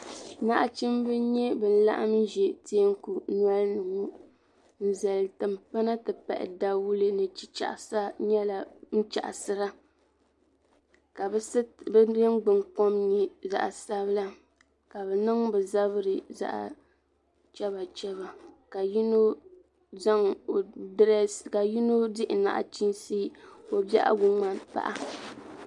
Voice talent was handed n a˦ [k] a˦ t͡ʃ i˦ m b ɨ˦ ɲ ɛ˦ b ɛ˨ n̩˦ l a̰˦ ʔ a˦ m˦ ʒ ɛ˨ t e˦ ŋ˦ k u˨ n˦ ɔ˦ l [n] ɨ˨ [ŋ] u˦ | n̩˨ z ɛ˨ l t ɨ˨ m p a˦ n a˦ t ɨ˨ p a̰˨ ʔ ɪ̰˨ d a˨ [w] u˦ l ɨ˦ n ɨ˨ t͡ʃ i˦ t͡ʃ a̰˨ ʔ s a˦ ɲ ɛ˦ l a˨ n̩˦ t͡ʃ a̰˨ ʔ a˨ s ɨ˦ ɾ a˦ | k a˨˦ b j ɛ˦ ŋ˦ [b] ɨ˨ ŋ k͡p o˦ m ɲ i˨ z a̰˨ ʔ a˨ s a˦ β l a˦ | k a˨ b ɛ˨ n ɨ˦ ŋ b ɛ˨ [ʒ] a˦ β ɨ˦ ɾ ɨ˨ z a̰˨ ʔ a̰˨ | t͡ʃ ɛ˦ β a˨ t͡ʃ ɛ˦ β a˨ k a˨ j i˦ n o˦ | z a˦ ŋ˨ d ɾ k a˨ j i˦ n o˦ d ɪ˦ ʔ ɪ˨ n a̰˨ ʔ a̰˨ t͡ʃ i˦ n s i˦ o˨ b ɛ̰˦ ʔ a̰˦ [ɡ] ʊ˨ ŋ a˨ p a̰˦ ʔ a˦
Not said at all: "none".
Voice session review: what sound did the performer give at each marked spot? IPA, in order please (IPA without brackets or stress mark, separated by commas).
ʔ, n, ŋ, w, ɡ͡b, z, ɡ